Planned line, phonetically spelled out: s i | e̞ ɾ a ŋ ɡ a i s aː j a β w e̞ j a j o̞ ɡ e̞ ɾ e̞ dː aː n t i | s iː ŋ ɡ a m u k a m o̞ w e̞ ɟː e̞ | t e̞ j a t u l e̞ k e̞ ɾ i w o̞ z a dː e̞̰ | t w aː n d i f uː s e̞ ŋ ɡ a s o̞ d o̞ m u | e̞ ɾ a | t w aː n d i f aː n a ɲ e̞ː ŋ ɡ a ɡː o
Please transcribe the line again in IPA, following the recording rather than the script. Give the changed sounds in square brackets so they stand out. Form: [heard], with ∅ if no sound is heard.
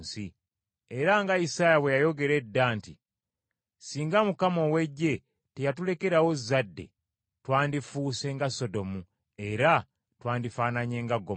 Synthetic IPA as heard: s i | e̞ ɾ a ŋ ɡ a i s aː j a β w e̞ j a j o̞ ɡ e̞ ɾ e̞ dː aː n t i | s iː ŋ ɡ a m u k a m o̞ w e̞ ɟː e̞ | t e̞ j a t u l e̞ k e̞ ɾ [a] w o̞ z a dː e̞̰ | t w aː n d i f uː s e̞ ŋ ɡ a s o̞ d o̞ m u | e̞ ɾ a | t w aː n d i f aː n a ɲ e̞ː ŋ ɡ a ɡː o